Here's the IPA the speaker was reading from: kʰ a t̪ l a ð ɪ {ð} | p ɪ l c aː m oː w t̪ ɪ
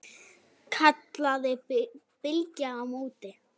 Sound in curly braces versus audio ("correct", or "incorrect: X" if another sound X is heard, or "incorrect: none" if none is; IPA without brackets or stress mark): incorrect: none